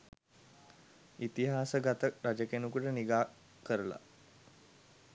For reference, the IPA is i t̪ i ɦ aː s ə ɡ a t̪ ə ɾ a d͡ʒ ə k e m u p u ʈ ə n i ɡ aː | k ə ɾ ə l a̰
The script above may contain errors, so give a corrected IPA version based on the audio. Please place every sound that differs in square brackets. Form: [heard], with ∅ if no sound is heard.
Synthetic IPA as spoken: i t̪ i ɦ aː s ə ɡ a t̪ ə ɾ a d͡ʒ ə k e [n] u [k] u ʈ ə n i ɡ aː | k ə ɾ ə l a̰